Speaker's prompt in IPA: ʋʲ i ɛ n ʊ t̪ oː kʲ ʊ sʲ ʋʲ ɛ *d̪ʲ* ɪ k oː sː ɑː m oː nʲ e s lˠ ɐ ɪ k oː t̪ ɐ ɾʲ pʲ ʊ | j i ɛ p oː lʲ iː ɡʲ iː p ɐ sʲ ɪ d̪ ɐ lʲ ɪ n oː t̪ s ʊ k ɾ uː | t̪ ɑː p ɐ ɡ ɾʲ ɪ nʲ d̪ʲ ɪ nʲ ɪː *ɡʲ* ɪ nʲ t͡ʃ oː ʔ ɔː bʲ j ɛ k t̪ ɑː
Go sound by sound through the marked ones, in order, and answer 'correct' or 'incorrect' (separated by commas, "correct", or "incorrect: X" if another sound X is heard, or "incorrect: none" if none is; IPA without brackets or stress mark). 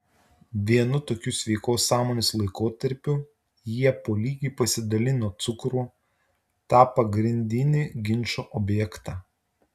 incorrect: none, correct